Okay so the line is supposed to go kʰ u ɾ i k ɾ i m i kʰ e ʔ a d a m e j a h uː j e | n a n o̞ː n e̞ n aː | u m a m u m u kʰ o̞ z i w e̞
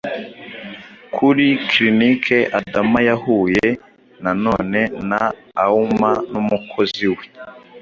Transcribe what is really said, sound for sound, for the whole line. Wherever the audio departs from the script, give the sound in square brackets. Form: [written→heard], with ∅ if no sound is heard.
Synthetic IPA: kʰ u ɾ i k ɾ i [m→n] i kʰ e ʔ a d a m [e→a] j a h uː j e | n a n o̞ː n e̞ n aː | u m a [m→n] u m u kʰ o̞ z i w e̞